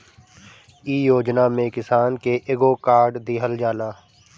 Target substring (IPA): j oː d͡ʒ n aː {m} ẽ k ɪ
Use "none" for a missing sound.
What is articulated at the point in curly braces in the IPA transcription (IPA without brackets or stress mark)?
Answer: m